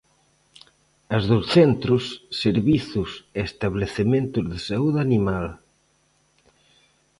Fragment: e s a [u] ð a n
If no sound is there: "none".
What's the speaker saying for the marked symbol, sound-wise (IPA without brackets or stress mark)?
u